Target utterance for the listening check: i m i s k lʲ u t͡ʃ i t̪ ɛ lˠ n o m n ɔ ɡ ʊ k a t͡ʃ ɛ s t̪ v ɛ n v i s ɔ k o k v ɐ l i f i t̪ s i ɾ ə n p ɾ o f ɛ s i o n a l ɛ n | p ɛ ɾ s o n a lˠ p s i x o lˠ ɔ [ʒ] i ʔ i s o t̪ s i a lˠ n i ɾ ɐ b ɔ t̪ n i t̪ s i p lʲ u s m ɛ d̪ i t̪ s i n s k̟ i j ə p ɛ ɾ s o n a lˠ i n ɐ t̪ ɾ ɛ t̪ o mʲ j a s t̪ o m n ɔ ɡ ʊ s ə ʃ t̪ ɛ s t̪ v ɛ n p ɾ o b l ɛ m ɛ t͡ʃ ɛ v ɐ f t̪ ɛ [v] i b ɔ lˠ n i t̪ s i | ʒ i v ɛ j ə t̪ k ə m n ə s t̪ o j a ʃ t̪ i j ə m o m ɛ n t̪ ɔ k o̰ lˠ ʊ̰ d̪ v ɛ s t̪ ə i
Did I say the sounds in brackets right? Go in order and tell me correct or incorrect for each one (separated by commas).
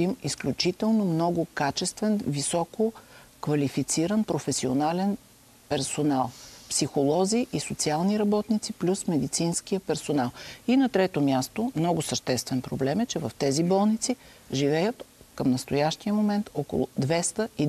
incorrect, incorrect